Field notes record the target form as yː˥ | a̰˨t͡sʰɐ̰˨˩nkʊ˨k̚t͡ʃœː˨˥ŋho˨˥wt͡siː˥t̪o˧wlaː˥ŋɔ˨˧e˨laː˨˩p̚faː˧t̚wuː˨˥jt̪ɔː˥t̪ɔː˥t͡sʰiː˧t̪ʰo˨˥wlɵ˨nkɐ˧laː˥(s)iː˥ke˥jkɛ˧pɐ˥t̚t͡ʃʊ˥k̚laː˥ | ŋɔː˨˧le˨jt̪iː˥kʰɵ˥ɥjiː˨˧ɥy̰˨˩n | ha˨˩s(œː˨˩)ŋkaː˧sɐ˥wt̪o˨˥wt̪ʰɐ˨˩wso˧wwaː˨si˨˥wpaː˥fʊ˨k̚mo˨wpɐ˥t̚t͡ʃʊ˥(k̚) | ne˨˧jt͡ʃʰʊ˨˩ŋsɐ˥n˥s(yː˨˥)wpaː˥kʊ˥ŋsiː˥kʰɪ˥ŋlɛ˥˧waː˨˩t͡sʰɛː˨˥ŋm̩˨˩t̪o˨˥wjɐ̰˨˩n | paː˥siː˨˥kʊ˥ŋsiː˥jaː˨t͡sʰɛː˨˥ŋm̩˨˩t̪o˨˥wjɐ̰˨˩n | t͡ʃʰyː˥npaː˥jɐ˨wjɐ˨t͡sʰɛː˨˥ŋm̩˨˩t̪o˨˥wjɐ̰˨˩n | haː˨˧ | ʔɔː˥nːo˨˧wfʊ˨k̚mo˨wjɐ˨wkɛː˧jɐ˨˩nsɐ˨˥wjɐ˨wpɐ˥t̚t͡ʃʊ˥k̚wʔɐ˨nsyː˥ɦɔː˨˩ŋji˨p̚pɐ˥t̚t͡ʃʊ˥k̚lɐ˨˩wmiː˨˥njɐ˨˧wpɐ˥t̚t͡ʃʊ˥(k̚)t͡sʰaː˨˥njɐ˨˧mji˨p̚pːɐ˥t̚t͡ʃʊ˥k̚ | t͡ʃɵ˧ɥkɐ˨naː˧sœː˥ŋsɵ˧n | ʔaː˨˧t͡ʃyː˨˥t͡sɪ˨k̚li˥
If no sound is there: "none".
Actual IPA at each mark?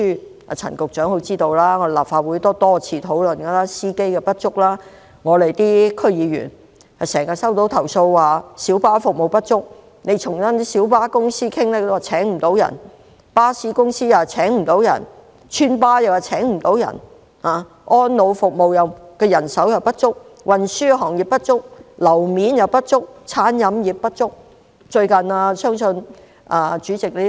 s, ɛː˨˩, k̚, iː˨˥, k̚

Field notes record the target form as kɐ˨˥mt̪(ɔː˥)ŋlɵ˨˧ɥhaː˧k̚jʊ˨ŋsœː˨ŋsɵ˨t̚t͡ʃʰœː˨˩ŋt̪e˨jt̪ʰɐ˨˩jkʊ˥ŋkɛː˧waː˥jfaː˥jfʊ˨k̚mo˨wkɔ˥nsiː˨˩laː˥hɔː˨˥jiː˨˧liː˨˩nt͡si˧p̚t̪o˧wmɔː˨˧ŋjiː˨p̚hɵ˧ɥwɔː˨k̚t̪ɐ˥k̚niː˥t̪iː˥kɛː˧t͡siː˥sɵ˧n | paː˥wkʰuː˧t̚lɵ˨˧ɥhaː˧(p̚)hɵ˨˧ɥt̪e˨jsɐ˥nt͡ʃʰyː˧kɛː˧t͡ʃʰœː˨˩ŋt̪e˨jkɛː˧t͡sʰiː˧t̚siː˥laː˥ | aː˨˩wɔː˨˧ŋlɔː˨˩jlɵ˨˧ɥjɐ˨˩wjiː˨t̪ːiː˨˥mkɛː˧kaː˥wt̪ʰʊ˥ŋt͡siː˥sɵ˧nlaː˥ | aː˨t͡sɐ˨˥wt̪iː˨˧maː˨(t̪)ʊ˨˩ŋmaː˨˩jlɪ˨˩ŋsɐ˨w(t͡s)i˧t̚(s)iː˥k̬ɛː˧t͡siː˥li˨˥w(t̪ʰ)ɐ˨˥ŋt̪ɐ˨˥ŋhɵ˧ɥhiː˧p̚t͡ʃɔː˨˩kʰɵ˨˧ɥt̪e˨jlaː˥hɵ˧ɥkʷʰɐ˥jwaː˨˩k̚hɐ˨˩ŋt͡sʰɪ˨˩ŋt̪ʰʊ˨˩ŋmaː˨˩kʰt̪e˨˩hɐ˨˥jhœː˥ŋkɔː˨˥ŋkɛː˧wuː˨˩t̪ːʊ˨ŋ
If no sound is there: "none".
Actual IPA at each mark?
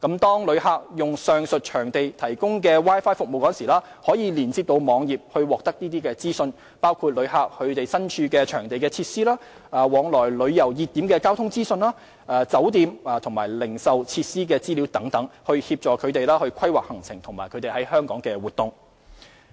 ɔː˥, k̚, t̪ʰ, t͡sʰ, s, t̪

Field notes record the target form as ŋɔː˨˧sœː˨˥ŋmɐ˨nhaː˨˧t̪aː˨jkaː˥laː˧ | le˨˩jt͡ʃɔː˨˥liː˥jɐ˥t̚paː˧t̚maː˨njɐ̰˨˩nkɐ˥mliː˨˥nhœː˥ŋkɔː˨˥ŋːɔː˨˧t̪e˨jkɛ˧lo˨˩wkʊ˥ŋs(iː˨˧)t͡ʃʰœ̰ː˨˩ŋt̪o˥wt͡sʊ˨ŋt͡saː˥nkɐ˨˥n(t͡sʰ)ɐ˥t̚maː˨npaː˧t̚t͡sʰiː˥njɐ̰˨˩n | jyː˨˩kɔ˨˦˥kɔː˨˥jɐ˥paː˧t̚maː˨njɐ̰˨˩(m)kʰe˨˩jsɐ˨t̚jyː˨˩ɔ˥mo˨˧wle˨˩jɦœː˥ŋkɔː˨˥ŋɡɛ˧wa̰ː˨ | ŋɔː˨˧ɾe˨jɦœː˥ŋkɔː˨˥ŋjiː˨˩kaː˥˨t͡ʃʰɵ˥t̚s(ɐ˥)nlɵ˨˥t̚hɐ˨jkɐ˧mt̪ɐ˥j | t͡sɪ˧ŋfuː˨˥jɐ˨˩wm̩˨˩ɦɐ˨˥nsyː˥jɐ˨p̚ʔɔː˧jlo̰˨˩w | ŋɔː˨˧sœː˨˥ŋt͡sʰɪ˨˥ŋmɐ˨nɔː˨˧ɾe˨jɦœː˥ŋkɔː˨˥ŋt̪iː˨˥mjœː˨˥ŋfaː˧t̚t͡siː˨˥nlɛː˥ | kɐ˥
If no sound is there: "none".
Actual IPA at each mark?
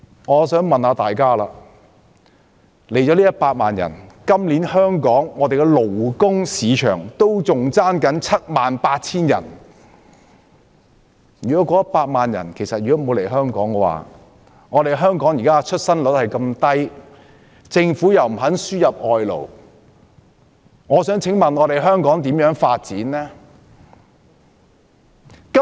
iː˨˧, t͡sʰ, n, ɐ˥

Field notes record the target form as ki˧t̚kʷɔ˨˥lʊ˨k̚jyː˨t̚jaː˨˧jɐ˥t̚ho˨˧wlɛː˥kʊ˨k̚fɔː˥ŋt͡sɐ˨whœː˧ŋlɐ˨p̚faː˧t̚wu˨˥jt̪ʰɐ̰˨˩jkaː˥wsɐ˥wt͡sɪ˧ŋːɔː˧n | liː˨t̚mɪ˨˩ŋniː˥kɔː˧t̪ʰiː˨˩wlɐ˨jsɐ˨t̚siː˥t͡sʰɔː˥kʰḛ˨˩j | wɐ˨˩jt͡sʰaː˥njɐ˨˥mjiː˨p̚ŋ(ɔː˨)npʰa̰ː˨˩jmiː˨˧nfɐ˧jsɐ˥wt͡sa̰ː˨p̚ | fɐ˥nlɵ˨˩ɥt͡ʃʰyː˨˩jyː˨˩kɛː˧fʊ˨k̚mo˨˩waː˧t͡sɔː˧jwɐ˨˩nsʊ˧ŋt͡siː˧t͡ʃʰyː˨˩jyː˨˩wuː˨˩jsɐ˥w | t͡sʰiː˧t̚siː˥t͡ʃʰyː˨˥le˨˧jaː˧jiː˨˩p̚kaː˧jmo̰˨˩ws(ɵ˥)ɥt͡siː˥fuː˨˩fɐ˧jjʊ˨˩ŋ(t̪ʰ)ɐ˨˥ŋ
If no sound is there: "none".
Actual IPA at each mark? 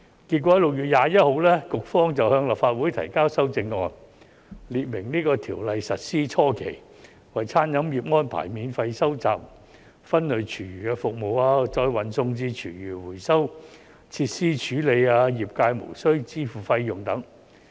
ɔː˥, ɵ˥, t̪

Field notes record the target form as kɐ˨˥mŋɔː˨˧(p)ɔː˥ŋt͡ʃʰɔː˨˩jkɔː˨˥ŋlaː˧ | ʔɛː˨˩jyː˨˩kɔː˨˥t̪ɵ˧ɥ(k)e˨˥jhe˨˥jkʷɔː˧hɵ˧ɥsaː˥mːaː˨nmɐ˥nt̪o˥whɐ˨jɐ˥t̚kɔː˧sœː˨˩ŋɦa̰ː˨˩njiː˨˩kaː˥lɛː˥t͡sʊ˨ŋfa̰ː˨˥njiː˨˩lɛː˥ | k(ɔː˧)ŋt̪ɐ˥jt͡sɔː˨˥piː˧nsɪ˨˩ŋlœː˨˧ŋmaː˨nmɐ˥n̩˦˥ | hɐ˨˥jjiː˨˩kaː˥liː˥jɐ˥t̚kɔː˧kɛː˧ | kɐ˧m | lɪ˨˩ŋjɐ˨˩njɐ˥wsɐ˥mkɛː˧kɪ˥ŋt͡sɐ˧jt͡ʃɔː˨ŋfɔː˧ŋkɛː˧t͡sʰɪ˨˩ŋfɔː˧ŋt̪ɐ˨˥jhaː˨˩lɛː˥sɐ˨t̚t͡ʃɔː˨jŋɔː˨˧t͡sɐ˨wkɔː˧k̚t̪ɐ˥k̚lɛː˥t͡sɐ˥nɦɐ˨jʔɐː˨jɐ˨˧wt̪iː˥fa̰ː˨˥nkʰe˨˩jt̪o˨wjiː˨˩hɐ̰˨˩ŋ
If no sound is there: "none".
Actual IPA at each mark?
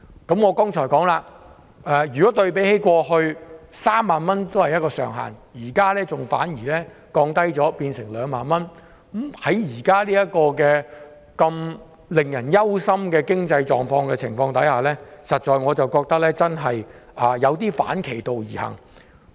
k, p, ɔː˧

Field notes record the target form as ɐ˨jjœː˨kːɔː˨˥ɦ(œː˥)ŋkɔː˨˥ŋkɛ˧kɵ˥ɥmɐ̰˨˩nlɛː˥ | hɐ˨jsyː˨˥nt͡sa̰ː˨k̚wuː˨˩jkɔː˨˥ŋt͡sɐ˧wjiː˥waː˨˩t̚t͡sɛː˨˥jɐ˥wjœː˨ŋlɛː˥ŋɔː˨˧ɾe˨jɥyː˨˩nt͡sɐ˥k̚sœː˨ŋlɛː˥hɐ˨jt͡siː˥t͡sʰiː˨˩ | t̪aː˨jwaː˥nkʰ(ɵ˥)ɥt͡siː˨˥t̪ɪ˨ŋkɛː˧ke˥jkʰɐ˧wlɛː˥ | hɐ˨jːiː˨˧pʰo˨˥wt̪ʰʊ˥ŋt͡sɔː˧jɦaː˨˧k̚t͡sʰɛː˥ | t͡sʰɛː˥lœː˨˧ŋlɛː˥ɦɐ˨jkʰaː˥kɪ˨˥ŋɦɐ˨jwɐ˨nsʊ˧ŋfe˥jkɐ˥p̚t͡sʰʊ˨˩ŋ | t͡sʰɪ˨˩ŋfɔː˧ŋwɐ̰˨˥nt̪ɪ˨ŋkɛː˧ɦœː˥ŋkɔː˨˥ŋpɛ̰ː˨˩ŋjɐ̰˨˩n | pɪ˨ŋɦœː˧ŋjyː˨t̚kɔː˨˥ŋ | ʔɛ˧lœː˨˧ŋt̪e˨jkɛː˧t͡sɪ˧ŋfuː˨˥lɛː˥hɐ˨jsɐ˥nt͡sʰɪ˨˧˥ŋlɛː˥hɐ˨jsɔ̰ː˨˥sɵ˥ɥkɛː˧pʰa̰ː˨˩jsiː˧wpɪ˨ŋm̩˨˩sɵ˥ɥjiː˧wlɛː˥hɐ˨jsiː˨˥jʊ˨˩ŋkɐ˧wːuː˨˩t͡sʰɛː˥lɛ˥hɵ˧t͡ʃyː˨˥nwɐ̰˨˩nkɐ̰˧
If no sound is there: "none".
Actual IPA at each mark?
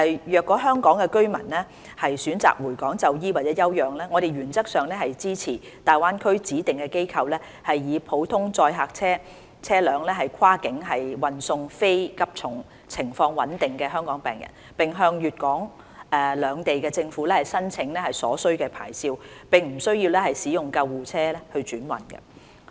œː˥, ɵ˥

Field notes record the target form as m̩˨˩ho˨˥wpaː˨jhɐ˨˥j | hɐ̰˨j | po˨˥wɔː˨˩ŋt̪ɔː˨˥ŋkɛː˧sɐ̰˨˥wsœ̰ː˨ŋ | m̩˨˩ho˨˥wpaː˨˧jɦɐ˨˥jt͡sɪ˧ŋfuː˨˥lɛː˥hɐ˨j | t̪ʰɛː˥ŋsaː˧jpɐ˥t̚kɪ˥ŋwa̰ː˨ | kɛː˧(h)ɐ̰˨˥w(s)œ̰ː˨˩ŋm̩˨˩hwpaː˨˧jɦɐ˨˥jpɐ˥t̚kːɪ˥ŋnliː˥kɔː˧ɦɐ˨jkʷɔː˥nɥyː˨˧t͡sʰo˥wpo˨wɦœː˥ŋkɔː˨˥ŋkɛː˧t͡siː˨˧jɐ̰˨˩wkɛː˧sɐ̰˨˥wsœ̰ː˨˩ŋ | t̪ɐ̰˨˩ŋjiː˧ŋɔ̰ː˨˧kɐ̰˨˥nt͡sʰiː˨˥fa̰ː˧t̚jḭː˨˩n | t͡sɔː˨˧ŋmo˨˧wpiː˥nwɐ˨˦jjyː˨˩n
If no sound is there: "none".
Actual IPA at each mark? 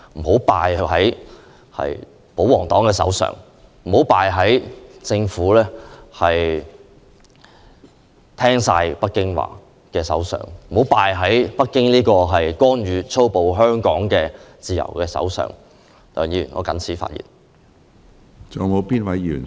s, s

